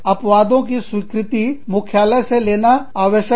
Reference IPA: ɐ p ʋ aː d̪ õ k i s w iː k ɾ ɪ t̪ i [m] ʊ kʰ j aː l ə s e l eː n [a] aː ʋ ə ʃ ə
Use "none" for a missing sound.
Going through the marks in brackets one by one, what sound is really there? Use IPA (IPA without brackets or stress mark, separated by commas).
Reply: m, a